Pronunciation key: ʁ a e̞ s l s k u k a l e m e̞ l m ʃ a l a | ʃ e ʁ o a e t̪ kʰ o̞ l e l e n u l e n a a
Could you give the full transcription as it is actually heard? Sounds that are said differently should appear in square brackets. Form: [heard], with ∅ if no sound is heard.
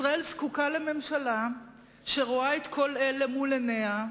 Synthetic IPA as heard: ʁ a e̞ [∅] l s k u k a l e m e̞ [∅] m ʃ a l a | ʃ e ʁ o a e t̪ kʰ o̞ l e l e [m] u l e n [e] a